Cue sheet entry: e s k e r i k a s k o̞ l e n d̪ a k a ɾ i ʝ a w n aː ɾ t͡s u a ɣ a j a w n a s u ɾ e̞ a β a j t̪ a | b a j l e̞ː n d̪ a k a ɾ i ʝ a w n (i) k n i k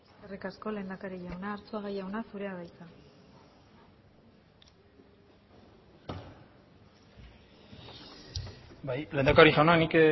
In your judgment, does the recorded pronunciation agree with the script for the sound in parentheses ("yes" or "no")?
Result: no